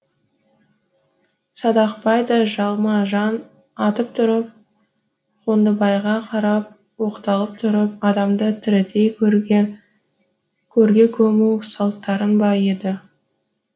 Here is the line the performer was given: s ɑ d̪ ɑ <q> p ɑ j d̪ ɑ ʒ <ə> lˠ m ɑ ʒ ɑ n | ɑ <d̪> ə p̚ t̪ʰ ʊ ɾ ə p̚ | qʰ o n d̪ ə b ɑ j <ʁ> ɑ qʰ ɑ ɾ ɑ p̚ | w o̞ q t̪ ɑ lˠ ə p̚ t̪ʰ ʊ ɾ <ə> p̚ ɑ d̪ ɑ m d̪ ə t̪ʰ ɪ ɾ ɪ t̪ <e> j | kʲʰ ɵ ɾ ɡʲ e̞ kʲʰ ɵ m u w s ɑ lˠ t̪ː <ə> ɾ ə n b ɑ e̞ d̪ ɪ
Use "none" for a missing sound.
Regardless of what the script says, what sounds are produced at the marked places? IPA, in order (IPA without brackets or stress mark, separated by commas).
q, ɑ, t̪, ʁ, ə, e, ɑ